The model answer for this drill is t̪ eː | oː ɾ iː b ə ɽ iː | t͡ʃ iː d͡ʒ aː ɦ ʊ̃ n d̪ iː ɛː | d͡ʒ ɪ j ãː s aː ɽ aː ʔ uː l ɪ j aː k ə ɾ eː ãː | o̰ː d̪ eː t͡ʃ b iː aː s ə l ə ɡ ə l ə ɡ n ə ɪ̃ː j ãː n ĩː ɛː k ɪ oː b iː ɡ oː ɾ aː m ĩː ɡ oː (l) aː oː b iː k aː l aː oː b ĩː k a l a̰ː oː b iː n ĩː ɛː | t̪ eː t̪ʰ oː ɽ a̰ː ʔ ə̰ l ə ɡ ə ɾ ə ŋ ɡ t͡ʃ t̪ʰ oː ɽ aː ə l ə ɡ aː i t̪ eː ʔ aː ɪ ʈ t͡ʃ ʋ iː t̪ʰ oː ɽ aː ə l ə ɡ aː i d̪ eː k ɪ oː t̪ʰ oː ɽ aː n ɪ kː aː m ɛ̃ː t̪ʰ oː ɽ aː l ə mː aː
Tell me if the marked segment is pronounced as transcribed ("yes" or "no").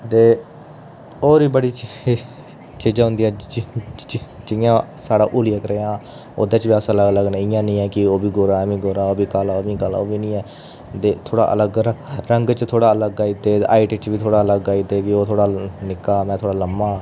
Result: no